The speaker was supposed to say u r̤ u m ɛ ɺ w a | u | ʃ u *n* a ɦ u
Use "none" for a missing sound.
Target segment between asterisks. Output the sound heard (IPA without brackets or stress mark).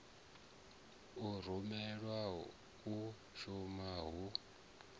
m